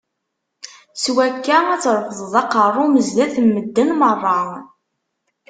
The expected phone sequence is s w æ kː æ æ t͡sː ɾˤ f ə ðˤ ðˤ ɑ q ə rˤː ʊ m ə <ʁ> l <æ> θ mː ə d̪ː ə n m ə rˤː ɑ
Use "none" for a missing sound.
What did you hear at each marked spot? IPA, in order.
z, æ

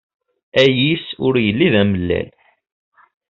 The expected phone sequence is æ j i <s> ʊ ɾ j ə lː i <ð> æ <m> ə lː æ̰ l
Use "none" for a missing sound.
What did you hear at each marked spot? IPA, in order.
s, ð, m

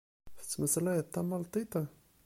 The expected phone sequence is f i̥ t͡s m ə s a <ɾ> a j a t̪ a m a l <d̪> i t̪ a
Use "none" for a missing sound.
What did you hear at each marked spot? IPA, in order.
l, t̪

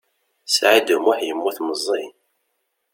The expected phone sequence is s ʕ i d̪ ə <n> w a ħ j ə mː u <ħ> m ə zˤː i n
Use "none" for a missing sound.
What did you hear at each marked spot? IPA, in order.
m, θ

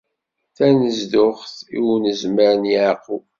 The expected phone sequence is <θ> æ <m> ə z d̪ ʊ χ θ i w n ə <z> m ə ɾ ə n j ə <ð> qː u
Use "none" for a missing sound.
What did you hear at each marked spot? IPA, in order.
θ, n, z, ʕ

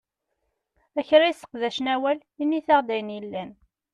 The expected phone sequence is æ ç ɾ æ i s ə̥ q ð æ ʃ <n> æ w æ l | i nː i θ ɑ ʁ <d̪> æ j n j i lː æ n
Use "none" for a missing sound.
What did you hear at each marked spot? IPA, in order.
n, d̪

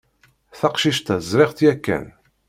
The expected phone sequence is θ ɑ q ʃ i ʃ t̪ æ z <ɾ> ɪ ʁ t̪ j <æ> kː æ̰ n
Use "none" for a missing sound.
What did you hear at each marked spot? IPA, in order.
ɾ, æ

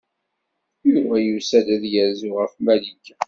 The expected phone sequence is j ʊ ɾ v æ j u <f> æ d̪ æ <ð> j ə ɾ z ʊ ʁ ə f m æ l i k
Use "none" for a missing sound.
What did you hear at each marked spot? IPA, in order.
s, ð

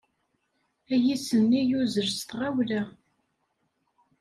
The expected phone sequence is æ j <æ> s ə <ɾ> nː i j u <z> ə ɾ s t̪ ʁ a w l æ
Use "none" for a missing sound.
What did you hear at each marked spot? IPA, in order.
i, none, z

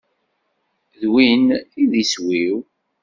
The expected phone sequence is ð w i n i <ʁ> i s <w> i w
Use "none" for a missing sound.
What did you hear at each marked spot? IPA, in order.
ð, w

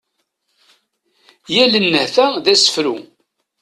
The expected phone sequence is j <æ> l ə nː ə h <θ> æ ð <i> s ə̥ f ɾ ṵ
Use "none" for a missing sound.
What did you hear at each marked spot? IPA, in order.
æ, θ, æ

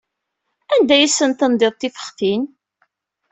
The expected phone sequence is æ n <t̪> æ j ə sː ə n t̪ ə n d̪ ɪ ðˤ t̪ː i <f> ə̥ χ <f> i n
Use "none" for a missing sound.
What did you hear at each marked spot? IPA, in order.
d̪, f, θ

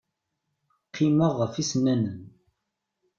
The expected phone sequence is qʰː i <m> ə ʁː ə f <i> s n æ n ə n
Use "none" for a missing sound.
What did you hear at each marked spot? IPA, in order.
m, i

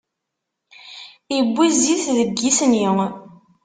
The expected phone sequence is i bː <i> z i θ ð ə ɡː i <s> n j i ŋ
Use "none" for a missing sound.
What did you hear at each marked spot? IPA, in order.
i, s

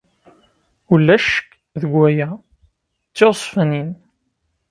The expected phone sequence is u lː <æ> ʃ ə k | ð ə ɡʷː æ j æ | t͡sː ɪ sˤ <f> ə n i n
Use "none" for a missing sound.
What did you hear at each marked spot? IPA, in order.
æ, f

